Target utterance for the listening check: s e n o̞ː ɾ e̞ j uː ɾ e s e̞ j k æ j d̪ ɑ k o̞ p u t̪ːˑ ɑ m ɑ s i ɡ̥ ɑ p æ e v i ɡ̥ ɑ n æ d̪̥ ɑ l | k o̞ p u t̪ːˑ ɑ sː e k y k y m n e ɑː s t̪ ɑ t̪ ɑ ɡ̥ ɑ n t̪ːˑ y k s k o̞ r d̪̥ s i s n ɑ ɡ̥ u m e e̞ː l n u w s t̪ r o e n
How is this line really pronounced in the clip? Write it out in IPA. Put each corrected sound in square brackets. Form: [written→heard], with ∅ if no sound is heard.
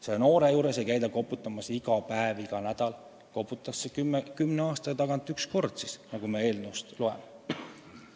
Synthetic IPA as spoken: s e n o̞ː ɾ e̞ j uː ɾ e s e̞ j k æ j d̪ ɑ k o̞ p u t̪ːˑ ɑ m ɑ s i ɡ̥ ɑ p æ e v i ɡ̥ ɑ n æ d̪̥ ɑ l | k o̞ p u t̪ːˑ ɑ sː e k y k y m n e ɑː s t̪ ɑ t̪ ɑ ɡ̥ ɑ n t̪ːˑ y k s k o̞ r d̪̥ s i s n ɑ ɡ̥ u m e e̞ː l n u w s t̪ [r→l] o e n